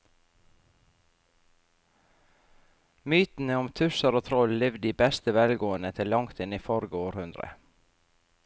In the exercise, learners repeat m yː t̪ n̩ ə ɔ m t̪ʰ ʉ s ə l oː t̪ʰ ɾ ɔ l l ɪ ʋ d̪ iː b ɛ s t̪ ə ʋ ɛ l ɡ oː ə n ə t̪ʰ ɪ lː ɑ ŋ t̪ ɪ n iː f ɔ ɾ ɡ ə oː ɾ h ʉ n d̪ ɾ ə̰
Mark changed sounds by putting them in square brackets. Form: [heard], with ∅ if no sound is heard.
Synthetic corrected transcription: m yː t̪ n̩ ə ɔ m t̪ʰ ʉ s ə [ɾ] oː t̪ʰ ɾ ɔ l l ɪ ʋ d̪ iː b ɛ s t̪ ə ʋ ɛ l ɡ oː ə n ə t̪ʰ ɪ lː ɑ ŋ t̪ ɪ n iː f ɔ ɾ ɡ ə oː ɾ h ʉ n d̪ ɾ ə̰